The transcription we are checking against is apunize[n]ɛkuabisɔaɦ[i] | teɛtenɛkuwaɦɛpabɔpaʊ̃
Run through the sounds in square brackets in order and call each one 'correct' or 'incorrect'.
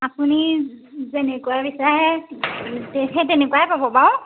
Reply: correct, incorrect: ɛ

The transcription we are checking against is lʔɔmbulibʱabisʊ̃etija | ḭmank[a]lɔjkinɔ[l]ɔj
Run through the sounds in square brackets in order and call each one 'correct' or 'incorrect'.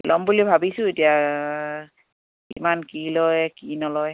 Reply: incorrect: i, correct

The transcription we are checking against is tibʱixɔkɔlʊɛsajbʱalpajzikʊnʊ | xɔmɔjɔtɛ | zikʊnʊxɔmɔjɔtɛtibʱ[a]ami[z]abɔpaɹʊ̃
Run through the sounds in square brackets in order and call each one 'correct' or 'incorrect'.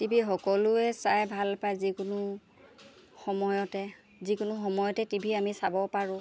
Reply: incorrect: i, incorrect: s

